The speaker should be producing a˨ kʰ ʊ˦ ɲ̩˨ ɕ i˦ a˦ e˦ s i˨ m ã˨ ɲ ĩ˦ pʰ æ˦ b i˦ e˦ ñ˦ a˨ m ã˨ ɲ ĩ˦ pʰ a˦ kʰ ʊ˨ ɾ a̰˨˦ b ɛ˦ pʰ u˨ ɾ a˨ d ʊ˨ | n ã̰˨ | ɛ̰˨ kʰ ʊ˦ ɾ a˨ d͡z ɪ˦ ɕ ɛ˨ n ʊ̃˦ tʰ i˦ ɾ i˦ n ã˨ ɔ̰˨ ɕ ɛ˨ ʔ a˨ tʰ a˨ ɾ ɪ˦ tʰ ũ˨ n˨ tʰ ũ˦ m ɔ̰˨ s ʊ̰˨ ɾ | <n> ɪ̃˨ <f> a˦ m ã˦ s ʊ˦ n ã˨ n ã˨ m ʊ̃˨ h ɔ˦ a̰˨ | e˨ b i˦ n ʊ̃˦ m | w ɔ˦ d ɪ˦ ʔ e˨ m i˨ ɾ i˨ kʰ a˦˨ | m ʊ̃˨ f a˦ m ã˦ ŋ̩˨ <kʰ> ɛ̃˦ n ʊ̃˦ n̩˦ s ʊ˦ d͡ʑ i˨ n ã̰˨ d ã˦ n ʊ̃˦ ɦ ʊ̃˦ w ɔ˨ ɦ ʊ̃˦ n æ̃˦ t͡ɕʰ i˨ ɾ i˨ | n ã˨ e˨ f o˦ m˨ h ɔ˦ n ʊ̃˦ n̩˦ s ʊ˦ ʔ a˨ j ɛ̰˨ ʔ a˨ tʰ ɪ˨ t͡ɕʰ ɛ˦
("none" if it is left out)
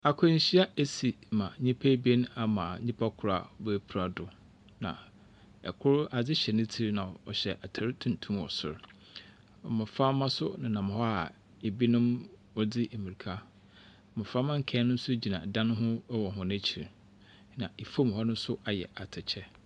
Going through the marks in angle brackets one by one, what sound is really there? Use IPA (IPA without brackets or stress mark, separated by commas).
m, f, kʰ